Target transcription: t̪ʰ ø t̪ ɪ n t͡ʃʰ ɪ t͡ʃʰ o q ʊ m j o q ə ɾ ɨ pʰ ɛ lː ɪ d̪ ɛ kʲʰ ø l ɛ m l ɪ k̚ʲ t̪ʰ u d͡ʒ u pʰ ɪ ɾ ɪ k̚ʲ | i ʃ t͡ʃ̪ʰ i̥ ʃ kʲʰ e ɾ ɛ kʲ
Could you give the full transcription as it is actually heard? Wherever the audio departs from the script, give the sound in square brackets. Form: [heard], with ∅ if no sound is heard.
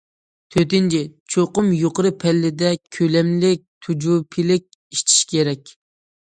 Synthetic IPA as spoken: t̪ʰ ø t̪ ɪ n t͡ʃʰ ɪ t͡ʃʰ o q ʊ m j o q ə ɾ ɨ pʰ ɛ lː ɪ d̪ ɛ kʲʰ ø l ɛ m l ɪ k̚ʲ t̪ʰ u d͡ʒ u pʰ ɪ [l] ɪ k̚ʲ | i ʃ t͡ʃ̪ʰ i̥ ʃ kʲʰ e ɾ ɛ kʲ